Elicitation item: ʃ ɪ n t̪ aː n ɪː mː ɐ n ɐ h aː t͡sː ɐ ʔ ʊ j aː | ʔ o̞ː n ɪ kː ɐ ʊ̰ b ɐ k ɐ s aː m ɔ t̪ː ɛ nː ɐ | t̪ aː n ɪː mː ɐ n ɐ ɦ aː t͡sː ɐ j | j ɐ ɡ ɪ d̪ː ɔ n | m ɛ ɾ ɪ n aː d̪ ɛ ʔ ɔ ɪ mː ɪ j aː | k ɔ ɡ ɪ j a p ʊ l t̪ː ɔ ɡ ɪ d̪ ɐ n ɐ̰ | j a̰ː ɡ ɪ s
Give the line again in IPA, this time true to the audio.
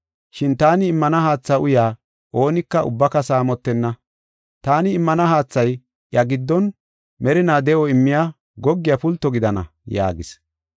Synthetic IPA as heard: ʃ ɪ n t̪ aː n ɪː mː ɐ n ɐ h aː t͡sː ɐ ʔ ʊ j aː | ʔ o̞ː n ɪ kː ɐ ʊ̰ bː ɐ k ɐ s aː m ɔ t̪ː ɛ nː ɐ | t̪ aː n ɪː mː ɐ n ɐ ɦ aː t͡sː ɐ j | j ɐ ɡ ɪ d̪ː ɔ n | m ɛ ɾ ɪ n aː d̪ ɛ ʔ ɔ ɪ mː ɪ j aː | ɡ ɔ ɡː ɪ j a p ʊ l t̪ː ɔ ɡ ɪ d̪ ɐ n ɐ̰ | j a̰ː ɡ ɪ s